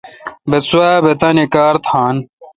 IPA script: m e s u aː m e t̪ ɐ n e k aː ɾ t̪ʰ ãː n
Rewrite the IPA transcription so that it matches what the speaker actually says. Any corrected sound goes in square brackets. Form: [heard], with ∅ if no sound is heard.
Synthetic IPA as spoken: [b] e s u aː [b] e t̪ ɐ n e k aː ɾ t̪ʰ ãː n